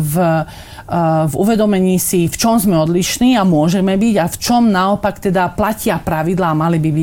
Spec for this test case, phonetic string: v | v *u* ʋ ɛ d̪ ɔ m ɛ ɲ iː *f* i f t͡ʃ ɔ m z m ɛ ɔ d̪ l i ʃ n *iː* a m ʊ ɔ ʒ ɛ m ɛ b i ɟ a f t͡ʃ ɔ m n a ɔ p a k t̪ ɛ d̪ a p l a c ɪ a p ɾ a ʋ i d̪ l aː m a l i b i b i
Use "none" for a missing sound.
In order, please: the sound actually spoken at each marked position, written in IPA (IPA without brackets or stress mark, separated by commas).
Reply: u, s, iː